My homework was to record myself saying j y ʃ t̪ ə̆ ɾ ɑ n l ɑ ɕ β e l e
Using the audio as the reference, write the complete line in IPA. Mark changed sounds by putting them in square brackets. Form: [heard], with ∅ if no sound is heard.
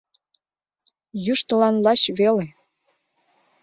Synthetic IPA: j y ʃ t̪ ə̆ [l] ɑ n l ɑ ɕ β e l e